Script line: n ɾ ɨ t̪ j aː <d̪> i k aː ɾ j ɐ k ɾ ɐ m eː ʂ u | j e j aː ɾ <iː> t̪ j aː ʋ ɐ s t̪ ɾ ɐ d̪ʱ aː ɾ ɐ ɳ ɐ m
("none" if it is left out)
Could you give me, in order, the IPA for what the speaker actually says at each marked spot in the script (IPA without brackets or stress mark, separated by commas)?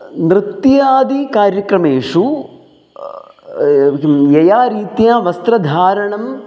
d̪, iː